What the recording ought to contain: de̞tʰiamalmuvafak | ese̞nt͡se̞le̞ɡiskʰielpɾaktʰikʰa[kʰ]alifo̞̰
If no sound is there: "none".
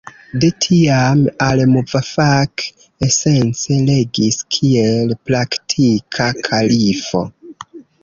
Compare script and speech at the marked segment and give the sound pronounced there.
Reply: kʰ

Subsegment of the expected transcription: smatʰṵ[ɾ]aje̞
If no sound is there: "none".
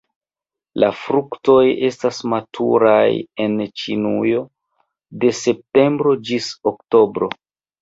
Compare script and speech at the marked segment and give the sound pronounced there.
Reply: ɾ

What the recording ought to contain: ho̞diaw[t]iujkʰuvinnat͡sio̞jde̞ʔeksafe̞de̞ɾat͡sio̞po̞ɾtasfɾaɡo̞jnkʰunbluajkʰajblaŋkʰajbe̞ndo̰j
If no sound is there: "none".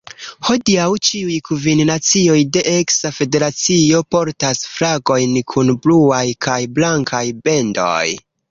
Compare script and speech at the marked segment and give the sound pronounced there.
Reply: t͡ʃ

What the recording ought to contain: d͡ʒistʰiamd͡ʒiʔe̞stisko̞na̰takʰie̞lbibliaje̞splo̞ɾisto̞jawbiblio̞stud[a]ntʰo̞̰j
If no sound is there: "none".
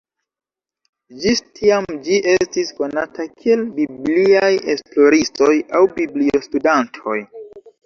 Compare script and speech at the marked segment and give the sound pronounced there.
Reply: a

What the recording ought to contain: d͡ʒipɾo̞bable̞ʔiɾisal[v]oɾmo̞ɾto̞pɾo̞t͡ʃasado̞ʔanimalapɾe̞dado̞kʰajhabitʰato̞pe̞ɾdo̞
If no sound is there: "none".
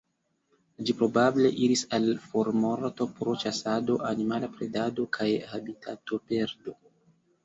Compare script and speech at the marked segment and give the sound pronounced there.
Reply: f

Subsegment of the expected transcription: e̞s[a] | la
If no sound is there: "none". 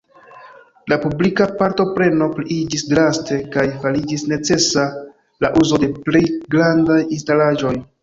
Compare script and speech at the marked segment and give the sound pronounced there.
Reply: a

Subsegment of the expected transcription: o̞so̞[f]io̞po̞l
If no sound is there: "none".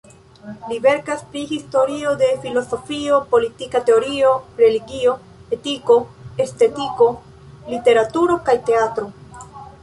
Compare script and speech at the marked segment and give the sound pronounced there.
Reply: f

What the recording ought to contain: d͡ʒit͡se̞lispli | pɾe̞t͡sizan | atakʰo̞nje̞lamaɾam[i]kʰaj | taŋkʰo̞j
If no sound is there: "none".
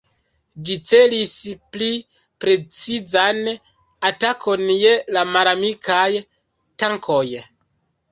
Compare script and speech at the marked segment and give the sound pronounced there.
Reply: i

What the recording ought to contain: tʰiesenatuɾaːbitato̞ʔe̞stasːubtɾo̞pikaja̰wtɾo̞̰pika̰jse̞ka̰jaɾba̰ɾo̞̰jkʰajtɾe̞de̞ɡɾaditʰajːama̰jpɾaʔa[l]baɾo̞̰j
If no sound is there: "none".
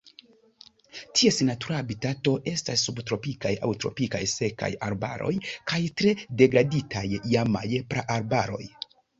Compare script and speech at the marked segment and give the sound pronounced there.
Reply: ɾ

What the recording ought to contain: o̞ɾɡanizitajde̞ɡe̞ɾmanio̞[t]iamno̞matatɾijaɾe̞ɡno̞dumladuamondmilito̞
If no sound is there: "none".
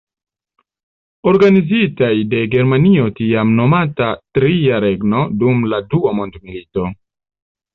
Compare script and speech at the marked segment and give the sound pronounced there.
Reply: t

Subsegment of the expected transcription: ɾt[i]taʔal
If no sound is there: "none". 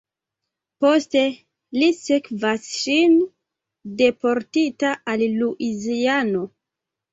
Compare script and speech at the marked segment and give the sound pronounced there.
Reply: i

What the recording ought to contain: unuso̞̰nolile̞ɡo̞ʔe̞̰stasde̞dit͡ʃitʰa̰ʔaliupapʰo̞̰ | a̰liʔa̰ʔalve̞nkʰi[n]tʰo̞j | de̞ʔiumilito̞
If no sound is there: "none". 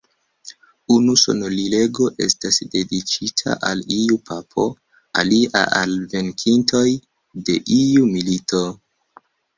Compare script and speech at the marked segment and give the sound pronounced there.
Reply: n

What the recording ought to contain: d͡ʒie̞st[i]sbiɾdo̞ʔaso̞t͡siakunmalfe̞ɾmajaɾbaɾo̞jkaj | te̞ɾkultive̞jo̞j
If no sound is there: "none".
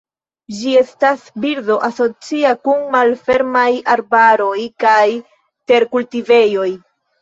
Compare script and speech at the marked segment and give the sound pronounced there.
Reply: a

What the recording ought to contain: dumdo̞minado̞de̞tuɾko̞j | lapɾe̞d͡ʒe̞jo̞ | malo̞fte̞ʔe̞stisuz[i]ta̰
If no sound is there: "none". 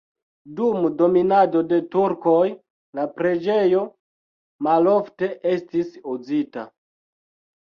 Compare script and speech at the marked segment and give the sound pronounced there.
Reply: i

